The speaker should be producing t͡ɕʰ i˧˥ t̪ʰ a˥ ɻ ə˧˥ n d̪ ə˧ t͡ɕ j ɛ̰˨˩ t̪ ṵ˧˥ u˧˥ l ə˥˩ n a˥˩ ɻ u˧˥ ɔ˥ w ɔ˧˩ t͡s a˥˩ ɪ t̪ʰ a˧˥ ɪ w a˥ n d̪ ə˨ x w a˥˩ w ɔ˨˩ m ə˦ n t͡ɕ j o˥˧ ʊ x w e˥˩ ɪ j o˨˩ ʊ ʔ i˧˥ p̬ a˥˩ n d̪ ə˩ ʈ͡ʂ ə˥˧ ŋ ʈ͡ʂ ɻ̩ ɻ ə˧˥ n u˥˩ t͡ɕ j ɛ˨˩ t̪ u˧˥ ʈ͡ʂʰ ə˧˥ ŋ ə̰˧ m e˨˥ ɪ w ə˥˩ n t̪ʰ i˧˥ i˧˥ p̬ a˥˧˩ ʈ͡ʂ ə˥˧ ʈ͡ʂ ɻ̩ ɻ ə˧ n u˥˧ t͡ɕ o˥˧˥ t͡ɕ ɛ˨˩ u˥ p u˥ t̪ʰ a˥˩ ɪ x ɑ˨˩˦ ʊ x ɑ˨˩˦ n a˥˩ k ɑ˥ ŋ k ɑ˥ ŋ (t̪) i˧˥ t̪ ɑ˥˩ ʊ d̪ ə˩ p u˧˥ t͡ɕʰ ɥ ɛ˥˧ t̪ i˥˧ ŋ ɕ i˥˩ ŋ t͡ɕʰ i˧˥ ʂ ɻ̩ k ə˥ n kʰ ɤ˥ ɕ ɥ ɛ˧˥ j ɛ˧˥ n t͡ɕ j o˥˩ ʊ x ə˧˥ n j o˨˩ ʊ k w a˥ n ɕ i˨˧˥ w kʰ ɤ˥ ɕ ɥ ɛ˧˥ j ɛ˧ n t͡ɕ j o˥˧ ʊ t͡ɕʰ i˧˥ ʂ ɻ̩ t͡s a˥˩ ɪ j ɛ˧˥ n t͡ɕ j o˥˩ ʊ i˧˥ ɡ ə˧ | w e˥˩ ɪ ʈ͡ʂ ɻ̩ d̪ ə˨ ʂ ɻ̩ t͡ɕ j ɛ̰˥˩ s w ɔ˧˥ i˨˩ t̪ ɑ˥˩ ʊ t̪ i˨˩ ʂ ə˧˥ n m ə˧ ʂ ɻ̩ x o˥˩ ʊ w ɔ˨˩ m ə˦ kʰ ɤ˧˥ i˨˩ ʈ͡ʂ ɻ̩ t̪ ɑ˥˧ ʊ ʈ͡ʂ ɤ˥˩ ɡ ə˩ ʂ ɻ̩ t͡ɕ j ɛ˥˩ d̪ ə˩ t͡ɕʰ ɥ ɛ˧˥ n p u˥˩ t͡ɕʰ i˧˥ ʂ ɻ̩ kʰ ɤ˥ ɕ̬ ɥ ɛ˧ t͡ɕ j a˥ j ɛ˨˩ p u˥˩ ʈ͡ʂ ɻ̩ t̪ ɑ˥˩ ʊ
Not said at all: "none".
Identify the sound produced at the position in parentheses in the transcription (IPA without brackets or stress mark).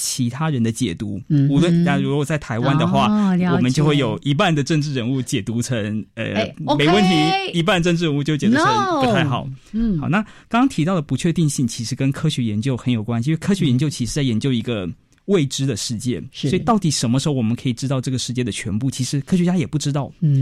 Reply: t̪ʰ